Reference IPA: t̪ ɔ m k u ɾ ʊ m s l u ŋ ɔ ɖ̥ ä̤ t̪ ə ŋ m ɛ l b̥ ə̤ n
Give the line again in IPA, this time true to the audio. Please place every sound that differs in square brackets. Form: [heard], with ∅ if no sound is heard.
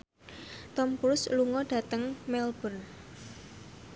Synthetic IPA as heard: t̪ ɔ m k u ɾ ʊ [∅] s l u ŋ ɔ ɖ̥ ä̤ t̪ ə ŋ m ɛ l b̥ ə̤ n